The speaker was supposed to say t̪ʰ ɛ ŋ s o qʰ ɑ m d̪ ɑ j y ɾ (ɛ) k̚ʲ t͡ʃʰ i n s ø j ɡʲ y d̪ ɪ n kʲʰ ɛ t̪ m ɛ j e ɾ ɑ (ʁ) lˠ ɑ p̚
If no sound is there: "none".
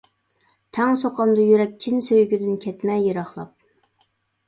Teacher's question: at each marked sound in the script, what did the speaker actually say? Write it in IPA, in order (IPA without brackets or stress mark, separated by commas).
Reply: ɛ, χ